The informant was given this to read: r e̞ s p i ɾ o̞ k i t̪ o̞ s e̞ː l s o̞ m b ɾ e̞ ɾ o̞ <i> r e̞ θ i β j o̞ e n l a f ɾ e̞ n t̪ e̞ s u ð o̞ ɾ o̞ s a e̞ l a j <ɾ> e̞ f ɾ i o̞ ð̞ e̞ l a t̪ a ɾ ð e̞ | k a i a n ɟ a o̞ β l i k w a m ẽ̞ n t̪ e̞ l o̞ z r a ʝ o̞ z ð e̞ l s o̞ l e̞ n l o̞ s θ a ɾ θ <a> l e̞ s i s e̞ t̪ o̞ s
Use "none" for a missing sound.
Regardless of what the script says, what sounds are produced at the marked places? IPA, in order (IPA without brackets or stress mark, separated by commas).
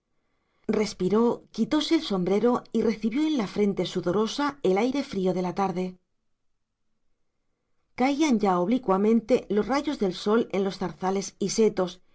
i, ɾ, a